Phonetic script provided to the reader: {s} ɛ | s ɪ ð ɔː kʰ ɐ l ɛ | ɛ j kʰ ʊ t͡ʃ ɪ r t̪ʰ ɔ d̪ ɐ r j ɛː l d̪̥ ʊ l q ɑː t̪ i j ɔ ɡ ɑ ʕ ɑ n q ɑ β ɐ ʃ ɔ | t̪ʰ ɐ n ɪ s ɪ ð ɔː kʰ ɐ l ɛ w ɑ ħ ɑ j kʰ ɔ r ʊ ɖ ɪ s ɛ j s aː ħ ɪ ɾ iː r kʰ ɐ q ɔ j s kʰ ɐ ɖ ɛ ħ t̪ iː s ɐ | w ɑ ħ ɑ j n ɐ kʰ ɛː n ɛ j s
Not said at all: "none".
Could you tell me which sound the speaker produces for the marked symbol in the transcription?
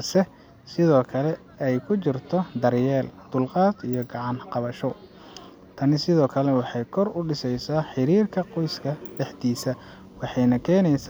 s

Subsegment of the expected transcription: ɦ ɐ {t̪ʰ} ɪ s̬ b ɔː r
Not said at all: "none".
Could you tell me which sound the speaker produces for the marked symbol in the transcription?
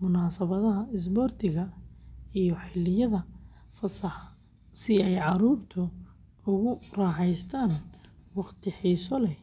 none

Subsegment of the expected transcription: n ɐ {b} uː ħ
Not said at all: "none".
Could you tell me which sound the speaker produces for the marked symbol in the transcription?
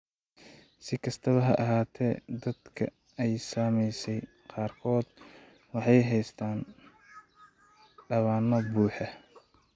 b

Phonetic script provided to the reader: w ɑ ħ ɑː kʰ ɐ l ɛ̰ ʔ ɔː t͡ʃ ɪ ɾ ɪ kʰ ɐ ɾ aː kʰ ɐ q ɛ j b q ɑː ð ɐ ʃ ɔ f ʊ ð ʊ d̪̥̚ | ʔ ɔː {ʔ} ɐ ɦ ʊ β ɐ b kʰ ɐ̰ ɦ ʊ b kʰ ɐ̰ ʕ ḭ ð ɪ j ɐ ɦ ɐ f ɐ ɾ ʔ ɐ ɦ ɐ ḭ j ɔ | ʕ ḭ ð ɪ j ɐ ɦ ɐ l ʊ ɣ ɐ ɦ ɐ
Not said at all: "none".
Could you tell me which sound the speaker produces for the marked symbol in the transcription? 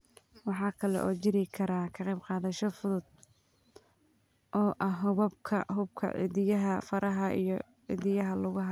ʔ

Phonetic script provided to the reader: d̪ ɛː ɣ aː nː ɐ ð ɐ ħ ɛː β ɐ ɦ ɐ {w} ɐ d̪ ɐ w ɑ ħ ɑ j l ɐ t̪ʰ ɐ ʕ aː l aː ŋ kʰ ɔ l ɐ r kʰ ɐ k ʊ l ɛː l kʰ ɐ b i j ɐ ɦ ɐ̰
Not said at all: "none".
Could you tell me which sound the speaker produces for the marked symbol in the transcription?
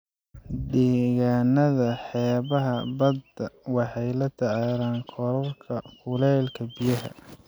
b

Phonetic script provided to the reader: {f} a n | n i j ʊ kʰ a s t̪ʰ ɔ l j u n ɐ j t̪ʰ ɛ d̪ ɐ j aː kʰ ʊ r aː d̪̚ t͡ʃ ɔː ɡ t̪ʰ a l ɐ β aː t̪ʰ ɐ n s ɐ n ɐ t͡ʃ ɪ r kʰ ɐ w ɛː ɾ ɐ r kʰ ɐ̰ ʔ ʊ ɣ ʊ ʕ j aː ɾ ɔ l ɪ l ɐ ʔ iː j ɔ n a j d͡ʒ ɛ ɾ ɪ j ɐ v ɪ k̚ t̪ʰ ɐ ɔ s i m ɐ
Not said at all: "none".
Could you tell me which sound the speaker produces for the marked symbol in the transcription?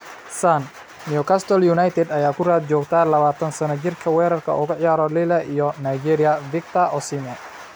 s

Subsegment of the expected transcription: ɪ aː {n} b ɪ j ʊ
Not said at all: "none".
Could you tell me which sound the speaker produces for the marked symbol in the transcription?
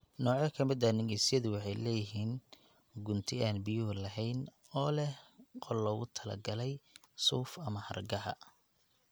n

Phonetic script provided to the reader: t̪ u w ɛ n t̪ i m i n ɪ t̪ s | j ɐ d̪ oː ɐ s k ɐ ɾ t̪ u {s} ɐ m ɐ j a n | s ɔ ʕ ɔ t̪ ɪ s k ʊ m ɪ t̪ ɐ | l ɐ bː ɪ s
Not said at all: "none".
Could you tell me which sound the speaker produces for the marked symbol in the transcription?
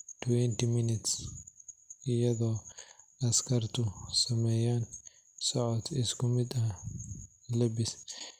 s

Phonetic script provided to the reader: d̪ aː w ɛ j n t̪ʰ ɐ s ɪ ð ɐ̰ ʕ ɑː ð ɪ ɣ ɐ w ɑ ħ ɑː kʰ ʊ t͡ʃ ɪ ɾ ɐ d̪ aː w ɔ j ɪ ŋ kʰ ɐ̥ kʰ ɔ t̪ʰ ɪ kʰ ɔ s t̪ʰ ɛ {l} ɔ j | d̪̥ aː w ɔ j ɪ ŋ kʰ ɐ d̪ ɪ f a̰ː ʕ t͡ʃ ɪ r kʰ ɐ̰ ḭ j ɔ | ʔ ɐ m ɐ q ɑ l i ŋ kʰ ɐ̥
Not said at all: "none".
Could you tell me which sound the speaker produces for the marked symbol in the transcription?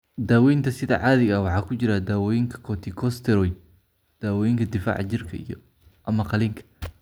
ɾ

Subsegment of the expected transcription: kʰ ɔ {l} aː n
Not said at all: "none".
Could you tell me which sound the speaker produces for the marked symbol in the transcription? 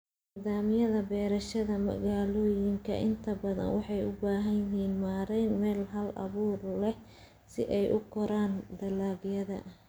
ɾ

